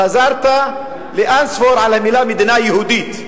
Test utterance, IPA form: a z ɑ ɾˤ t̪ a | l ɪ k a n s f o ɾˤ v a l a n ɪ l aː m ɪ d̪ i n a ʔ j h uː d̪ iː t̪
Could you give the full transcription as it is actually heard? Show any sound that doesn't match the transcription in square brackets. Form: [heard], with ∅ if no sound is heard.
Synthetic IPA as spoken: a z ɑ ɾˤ t̪ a | l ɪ [ʔ] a n s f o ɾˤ [ʕ] a l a [m] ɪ l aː m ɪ d̪ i n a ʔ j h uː d̪ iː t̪